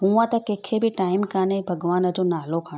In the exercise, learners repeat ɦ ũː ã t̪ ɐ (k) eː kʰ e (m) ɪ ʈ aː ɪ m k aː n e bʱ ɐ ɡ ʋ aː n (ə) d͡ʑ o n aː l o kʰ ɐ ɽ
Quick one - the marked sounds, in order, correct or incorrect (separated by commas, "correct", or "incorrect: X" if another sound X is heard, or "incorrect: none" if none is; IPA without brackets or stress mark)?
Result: correct, incorrect: b, correct